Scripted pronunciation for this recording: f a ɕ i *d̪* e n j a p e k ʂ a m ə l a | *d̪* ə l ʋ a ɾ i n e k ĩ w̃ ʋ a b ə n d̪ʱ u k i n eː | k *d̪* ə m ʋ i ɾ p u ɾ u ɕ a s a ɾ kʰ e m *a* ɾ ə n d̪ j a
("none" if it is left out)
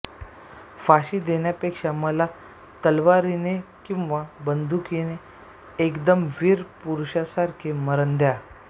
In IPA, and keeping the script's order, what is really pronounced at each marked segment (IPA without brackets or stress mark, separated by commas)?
d̪, t̪, d̪, ə